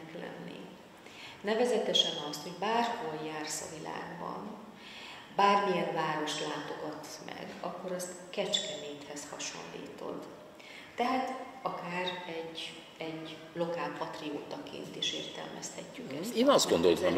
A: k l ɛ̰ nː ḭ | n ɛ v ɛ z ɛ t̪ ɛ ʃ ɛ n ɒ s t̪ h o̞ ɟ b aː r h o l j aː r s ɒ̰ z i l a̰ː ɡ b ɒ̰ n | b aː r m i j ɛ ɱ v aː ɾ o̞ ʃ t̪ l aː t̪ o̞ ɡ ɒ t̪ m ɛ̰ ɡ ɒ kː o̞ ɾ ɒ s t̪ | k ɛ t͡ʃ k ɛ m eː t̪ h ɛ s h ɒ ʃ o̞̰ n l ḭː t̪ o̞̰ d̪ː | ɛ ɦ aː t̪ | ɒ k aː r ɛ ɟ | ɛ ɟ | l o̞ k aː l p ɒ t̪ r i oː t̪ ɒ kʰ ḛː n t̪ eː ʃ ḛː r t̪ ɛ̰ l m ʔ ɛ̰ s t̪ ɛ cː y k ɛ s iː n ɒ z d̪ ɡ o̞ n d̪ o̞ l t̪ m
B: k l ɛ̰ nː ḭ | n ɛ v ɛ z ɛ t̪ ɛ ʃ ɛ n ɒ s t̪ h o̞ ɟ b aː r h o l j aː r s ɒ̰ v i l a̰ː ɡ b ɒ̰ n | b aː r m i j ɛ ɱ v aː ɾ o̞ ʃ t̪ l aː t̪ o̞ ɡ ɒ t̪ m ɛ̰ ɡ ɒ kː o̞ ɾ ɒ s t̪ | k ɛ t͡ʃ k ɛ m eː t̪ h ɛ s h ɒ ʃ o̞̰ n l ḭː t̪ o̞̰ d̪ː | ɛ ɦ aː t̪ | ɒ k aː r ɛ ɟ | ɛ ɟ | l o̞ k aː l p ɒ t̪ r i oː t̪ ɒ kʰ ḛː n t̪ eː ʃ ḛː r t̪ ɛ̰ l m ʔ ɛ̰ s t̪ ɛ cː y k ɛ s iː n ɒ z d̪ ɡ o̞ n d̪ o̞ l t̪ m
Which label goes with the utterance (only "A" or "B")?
B